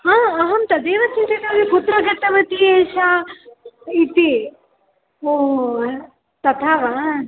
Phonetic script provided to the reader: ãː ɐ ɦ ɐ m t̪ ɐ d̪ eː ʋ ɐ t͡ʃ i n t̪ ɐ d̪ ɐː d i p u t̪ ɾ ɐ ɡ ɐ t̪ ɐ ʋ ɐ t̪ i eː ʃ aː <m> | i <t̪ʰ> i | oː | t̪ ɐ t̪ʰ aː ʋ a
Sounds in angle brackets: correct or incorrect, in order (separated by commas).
incorrect, incorrect